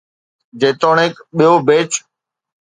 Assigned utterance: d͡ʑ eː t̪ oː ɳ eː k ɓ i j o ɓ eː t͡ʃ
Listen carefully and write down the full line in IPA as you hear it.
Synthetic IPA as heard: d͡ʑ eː t̪ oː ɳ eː k ɓ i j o b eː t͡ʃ